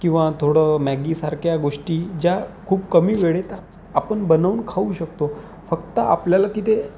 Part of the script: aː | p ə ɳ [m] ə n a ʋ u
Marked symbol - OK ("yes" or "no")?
no